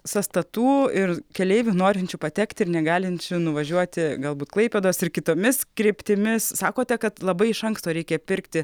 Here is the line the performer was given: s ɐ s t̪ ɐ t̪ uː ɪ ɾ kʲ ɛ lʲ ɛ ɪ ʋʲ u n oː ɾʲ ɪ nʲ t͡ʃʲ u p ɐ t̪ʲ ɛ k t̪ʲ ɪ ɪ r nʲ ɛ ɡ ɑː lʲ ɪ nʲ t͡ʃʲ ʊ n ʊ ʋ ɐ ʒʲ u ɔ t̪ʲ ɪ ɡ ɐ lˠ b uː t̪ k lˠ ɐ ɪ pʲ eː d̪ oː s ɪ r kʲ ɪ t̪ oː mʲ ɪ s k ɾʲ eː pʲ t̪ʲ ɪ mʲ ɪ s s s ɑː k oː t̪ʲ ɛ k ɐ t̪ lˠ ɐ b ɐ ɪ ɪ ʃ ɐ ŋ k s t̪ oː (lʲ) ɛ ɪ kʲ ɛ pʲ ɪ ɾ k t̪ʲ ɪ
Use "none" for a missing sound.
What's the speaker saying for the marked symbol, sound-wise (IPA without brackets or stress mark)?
ɾʲ